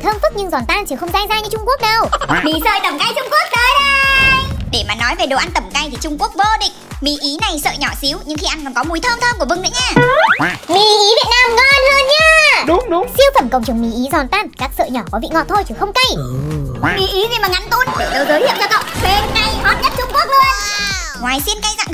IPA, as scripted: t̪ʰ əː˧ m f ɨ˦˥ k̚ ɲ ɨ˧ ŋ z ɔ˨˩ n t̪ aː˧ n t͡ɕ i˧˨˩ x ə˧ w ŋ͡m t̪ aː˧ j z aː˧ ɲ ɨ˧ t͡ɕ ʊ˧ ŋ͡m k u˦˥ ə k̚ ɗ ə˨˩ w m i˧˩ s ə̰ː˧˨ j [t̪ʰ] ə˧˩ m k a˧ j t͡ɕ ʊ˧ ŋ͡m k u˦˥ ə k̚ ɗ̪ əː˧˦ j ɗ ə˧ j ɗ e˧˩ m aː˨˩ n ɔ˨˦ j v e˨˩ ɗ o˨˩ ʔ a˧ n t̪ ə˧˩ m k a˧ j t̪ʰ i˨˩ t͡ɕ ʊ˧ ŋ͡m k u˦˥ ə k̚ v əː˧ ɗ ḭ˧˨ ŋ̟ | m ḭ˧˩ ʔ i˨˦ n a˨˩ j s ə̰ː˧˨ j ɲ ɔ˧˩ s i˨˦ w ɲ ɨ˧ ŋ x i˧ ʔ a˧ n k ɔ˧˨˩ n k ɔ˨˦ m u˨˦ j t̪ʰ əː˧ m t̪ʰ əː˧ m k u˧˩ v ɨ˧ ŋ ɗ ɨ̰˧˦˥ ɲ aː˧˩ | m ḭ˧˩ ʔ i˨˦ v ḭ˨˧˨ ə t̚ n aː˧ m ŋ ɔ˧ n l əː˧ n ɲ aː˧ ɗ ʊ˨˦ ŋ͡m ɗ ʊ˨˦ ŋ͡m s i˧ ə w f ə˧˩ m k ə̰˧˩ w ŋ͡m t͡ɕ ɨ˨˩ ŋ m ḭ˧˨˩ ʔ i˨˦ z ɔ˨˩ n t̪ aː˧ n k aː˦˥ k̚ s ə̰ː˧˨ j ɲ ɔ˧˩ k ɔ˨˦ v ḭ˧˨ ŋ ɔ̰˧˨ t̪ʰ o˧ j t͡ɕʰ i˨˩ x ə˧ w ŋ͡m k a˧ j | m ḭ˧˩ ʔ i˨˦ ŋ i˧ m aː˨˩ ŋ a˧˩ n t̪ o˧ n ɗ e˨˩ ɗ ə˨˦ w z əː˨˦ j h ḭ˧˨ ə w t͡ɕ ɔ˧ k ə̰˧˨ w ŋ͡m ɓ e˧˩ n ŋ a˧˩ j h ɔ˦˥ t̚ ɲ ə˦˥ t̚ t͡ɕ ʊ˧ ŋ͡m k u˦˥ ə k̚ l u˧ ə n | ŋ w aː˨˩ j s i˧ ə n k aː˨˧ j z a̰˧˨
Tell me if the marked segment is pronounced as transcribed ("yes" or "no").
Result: no